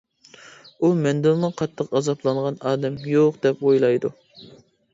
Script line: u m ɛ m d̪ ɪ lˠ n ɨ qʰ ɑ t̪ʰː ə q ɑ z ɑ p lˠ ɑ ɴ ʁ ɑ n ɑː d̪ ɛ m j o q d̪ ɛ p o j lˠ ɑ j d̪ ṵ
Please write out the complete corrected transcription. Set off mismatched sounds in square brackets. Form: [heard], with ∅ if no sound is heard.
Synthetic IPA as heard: u m ɛ [n] d̪ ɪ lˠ n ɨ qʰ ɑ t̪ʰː ə q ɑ z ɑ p lˠ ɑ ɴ ʁ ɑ n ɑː d̪ ɛ m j o q d̪ ɛ p o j lˠ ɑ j d̪ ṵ